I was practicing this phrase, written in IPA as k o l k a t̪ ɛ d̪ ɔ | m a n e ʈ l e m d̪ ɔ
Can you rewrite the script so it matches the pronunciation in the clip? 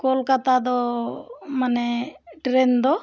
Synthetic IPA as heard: k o l k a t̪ a d̪ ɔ | m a n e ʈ ɾ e n d̪ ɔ